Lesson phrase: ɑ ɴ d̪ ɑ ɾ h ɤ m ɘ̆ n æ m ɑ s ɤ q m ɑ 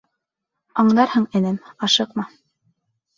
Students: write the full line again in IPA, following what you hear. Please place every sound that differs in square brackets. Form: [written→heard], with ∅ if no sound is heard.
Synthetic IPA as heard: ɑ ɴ d̪ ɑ ɾ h ɤ [m→ɴ] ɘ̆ n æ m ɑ [s→ʃ] ɤ q m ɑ